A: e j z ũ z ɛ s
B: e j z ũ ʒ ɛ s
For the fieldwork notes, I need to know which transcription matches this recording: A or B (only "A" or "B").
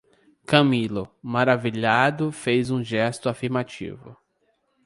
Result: B